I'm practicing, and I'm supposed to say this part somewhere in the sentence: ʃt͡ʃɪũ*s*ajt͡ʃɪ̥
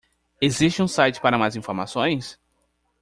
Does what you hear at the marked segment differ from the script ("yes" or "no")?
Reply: no